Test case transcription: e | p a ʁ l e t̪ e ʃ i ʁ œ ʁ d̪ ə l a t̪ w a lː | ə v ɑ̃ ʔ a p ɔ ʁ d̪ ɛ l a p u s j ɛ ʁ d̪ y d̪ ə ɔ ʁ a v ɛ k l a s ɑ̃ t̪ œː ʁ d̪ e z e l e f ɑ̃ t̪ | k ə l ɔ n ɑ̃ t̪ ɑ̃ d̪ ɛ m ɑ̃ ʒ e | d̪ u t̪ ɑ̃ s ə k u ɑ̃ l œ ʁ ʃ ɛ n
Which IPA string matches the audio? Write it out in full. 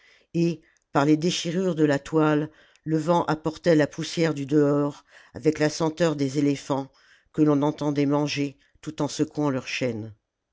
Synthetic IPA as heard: e | p a ʁ l e d̪ e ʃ i ʁ y ʁ d̪ ə l a t̪ w a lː | ə v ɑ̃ ʔ a p ɔ ʁ t̪ ɛ l a p u s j ɛ ʁ d̪ y d̪ ə ɔ ʁ a v ɛ k l a s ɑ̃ t̪ œ ʁ d̪ e z e l e f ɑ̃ | k ə l ɔ̃ n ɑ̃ t̪ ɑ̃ d̪ ɛ m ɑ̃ ʒ e | t̪ u t̪ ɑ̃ s ə k u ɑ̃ l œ ʁ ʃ ɛ n